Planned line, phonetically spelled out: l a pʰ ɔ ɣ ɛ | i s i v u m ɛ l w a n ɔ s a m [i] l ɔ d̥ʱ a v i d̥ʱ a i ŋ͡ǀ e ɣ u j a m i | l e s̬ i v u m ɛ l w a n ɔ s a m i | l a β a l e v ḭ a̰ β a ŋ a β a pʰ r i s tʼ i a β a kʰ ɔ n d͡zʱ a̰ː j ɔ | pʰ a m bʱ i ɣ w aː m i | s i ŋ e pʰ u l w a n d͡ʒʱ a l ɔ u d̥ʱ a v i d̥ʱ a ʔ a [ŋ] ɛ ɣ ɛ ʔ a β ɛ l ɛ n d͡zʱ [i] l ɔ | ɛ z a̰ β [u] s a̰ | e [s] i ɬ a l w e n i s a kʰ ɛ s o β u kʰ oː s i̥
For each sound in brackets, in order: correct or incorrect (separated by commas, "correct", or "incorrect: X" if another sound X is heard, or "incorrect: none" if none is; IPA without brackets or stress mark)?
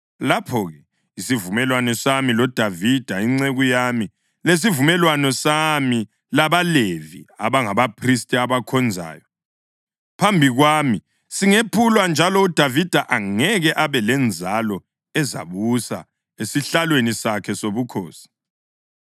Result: correct, correct, incorrect: a, correct, correct